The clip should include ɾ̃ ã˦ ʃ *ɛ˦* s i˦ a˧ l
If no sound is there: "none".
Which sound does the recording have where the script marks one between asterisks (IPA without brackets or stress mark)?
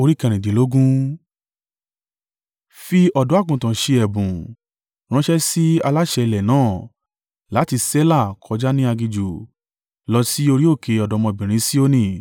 ɛ˦